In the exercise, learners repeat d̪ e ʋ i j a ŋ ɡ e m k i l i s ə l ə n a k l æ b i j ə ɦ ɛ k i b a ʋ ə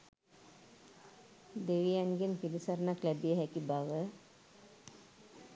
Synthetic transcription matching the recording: d̪ e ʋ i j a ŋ ɡ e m p i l i s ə ɾ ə n a k l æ b i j ə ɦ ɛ k i b a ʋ ə